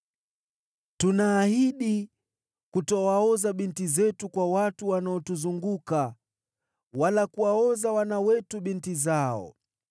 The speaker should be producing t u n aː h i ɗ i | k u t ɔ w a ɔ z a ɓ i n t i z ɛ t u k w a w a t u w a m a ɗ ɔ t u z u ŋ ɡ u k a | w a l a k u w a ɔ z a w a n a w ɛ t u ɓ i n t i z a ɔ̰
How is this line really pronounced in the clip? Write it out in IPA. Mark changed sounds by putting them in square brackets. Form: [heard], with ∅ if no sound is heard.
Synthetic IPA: t u n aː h i ɗ i | k u t ɔ w a ɔ z a ɓ i n t i z ɛ t u k w a w a t u w a [n] a [∅] ɔ t u z u ŋ ɡ u k a | w a l a k u w a ɔ z a w a n a w ɛ t u ɓ i n t i z a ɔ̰